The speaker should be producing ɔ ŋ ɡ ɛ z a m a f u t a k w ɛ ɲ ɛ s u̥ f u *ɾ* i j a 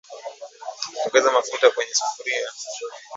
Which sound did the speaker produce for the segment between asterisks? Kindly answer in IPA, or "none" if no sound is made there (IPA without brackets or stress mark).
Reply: ɾ